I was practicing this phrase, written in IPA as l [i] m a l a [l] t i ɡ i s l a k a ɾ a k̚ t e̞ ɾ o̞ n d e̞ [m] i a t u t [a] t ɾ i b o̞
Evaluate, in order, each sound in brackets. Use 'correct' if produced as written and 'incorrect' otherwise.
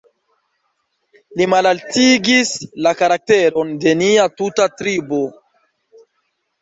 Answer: correct, correct, incorrect: n, correct

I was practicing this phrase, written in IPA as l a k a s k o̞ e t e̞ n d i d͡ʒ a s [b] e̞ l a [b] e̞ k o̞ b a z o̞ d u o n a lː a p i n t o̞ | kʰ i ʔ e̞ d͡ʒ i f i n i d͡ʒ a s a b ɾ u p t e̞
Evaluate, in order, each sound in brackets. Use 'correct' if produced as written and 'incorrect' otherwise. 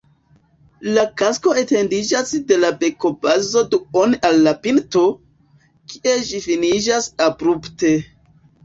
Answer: incorrect: d, correct

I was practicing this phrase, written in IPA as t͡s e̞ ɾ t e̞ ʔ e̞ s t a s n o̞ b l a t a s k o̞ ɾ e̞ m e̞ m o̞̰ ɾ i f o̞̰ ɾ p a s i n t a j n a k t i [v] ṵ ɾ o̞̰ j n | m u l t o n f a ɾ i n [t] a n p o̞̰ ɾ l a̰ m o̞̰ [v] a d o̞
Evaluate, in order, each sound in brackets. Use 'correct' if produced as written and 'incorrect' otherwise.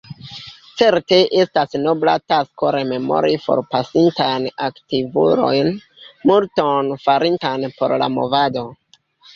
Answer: correct, correct, correct

